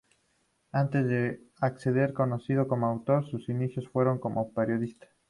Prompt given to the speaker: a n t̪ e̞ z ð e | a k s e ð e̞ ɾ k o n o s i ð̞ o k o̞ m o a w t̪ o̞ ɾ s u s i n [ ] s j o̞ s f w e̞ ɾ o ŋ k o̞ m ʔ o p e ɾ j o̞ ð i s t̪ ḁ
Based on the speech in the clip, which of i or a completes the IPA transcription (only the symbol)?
i